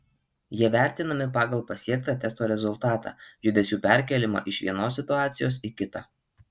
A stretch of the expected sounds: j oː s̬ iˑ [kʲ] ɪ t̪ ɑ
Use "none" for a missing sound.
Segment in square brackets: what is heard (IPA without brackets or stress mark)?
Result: kʲ